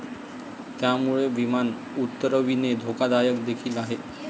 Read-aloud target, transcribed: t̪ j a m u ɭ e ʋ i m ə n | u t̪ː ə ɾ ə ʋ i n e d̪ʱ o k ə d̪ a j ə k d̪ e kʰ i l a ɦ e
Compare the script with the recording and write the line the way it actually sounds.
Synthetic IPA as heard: t̪ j a m u ɭ e ʋ i m a n | u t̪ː ə ɾ ə ʋ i n e d̪ʱ o k a d̪ a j ə k d̪ e kʰ iː l a ɦ e